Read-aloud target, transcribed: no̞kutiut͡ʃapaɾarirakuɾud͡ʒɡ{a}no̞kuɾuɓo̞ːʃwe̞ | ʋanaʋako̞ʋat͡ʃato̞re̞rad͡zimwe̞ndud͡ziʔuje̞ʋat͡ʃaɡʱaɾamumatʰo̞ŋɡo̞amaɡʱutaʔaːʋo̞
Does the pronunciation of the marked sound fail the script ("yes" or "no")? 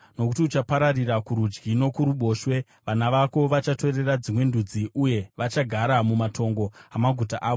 yes